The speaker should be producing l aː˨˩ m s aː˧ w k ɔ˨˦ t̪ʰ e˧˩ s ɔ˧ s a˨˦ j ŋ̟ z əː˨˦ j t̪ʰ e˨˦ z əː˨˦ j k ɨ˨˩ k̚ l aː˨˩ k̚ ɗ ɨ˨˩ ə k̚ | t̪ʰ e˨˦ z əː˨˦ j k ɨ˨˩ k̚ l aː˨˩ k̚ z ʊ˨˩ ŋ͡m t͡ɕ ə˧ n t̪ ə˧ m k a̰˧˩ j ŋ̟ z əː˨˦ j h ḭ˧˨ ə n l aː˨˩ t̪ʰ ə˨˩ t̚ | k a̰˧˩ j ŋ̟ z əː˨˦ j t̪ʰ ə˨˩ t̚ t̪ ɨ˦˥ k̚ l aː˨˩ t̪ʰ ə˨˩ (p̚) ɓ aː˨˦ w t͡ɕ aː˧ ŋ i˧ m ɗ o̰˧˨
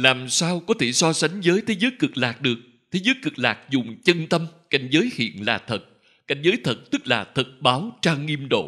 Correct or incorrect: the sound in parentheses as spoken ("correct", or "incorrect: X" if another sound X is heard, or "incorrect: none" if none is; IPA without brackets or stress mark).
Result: incorrect: t̚